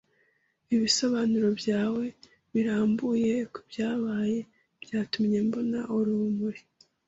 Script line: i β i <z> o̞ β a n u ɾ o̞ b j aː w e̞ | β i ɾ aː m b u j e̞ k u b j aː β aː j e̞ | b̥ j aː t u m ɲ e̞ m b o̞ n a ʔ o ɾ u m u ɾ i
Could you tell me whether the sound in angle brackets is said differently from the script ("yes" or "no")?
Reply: yes